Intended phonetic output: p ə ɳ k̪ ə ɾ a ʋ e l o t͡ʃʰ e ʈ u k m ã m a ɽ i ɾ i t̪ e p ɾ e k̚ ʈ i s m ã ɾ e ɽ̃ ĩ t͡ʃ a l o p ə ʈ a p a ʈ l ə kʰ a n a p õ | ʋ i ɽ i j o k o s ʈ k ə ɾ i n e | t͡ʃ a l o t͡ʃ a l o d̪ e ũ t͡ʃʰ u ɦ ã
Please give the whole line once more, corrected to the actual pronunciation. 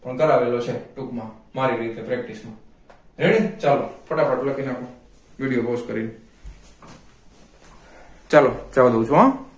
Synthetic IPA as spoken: p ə ɳ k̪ ə ɾ a ʋ e l o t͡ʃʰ e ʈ u k m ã m a ɾ i ɾ i t̪ e p ɾ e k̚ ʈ i s m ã ɾ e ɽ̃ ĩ t͡ʃ a l o p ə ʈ a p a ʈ l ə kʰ i n a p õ | ʋ i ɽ i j o p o s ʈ k ə ɾ i n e | t͡ʃ a l o t͡ʃ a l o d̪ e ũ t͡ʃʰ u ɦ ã